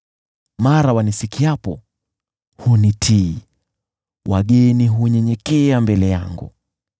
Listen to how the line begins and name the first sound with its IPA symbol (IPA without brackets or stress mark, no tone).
m